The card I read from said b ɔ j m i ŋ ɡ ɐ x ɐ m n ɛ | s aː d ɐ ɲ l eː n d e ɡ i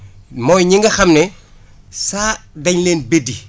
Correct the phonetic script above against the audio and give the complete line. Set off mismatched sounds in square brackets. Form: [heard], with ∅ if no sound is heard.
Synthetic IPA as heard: [m] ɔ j [ɲ] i ŋ ɡ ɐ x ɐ m n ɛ | s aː d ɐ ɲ l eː n [b] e [d] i